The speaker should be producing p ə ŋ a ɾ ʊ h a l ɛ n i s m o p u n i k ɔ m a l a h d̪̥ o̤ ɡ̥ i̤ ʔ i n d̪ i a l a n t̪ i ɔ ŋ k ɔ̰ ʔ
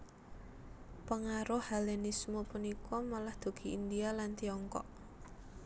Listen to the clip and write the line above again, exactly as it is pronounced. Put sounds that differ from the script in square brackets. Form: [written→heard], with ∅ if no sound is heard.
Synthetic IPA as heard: p ə ŋ a ɾ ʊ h a l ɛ n i s m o p u n i k ɔ m a l a h d̪̥ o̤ ɡ̥ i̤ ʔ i n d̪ i a l a n t̪ i ɔ ŋ k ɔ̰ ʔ